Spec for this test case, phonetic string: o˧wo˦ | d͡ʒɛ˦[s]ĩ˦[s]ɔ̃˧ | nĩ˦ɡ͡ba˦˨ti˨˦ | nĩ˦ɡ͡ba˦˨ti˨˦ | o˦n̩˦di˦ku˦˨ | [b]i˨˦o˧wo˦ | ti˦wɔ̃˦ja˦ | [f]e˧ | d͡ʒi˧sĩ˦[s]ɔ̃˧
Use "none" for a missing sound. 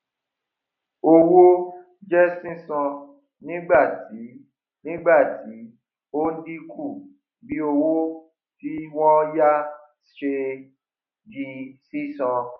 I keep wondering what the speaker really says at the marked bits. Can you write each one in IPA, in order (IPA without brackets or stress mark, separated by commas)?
s, s, b, ʃ, s